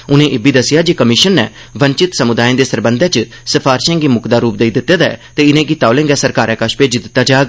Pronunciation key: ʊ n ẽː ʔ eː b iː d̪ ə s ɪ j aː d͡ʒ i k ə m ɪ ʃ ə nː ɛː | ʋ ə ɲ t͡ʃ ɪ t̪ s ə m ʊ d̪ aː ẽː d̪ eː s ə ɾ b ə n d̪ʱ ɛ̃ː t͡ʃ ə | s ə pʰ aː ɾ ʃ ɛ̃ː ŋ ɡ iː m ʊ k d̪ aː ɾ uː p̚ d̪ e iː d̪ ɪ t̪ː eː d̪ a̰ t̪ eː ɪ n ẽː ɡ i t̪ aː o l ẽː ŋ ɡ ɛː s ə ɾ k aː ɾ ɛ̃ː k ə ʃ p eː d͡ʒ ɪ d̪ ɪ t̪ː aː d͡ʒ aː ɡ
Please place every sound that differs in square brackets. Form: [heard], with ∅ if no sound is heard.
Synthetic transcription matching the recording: ʊ n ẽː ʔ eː b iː d̪ ə s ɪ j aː d͡ʒ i k ə m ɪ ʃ ə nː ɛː | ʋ ə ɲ t͡ʃ ɪ t̪ s ə m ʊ d̪ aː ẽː d̪ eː s ə ɾ b ə n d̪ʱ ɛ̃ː t͡ʃ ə | s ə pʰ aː ɾ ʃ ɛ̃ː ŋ ɡ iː m ʊ k d̪ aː ɾ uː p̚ d̪ e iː d̪ ɪ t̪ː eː d̪ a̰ t̪ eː ɪ n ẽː ɡ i t̪ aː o l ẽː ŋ ɡ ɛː s ə ɾ k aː ɾ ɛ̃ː k ə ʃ p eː d͡ʒ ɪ d̪ ɪ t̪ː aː d͡ʒ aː ɡ